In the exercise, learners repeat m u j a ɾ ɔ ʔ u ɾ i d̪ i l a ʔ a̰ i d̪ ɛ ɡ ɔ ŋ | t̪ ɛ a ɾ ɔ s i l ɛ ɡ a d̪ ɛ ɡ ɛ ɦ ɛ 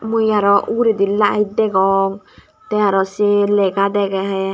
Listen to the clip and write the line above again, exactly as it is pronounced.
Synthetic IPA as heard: m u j a ɾ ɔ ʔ u ɾ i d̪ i l a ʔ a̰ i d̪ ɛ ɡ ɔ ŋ | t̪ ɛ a ɾ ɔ s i l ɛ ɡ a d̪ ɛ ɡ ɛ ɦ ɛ